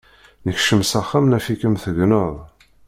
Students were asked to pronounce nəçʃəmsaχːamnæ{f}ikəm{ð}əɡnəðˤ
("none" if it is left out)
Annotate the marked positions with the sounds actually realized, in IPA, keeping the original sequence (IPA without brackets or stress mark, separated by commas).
f, θ